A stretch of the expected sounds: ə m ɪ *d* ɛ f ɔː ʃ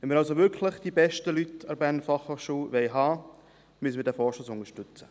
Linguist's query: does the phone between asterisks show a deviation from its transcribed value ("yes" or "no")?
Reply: no